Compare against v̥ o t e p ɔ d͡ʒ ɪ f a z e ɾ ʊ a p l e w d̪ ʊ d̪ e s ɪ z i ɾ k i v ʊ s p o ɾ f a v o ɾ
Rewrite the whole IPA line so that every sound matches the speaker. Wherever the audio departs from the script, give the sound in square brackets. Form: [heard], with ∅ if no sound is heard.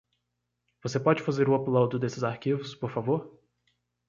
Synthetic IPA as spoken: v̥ o [s] e p ɔ d͡ʒ ɪ f a z e ɾ ʊ a p l [a] w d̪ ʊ d̪ e s ɪ z [a] ɾ k i v ʊ s p o ɾ f a v o ɾ